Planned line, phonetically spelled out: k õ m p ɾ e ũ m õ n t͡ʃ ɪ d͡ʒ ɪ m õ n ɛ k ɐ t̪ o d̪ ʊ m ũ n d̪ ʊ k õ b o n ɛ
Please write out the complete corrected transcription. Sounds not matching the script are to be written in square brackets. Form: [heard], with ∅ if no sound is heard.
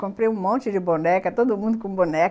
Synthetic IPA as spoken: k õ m p ɾ e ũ m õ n t͡ʃ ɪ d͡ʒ ɪ [b] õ n ɛ k ɐ t̪ o d̪ ʊ m ũ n d̪ ʊ k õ b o n ɛ